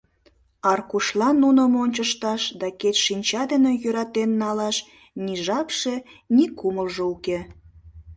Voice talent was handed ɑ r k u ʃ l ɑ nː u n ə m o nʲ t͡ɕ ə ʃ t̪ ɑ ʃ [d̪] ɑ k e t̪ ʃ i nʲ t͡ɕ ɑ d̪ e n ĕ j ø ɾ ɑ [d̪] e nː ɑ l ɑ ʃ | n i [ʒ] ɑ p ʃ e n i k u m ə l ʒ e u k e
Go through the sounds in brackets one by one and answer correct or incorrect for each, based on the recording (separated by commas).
correct, incorrect, correct